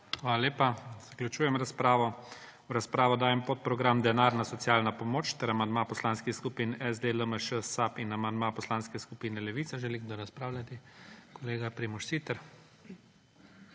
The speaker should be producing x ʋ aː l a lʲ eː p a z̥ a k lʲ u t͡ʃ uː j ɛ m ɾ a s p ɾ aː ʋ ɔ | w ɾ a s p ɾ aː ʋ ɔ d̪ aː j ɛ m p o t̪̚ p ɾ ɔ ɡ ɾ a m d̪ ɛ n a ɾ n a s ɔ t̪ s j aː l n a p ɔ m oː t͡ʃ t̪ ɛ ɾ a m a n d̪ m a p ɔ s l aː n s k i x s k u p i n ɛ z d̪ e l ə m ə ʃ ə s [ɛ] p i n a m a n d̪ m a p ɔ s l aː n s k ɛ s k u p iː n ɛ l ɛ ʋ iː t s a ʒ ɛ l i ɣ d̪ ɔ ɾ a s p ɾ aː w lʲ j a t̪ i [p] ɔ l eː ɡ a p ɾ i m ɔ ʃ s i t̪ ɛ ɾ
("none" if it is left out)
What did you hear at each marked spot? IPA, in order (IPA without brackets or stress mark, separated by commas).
a, k